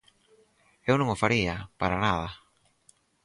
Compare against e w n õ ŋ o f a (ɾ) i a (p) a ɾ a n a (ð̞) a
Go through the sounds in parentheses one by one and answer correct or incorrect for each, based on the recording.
correct, correct, correct

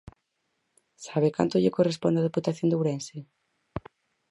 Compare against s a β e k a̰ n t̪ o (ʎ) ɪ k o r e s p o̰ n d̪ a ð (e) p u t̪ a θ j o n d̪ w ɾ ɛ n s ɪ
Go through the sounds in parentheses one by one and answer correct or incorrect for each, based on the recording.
correct, correct

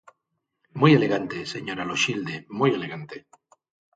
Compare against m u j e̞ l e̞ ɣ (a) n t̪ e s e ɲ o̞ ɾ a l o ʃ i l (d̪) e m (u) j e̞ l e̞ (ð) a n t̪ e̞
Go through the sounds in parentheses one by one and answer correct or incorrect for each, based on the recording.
correct, correct, correct, incorrect

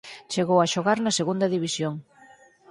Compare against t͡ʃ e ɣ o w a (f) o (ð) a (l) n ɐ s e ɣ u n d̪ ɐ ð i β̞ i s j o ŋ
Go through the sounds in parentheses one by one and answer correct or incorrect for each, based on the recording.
incorrect, incorrect, incorrect

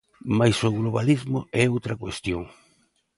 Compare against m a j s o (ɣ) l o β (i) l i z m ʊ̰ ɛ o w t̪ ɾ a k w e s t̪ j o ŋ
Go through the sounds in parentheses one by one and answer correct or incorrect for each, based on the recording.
correct, incorrect

